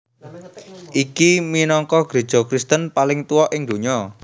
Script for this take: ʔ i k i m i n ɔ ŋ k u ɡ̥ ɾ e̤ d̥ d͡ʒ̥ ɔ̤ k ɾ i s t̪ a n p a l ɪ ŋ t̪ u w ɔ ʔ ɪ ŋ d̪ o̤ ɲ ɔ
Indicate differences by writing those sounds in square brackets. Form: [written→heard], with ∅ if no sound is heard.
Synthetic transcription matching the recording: ʔ i k i m i n ɔ ŋ k [u→ɔ] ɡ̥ ɾ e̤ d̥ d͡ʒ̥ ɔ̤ k ɾ i s t̪ [a→ə] n p a l ɪ ŋ t̪ u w ɔ ʔ ɪ ŋ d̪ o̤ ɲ ɔ